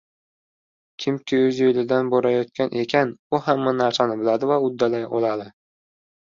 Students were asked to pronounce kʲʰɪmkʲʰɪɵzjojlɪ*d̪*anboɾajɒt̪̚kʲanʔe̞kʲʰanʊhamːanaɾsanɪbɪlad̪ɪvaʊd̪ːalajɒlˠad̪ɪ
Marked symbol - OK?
yes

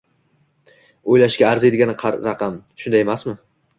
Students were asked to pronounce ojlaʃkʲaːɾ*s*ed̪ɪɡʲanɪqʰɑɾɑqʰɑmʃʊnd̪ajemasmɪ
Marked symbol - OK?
no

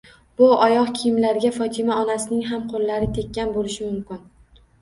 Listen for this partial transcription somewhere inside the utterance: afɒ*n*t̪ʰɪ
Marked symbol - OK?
no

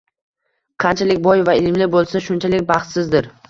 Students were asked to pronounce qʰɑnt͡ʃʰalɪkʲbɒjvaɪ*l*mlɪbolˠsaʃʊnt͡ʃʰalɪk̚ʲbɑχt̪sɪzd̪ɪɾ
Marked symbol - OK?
yes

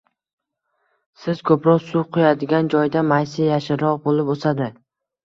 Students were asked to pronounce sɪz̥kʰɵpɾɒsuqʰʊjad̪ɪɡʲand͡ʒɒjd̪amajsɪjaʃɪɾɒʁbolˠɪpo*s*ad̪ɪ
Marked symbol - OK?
yes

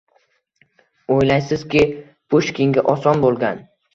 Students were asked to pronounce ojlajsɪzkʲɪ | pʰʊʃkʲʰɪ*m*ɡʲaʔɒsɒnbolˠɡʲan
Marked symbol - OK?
no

